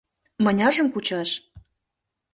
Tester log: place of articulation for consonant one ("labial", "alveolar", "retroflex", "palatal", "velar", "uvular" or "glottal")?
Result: labial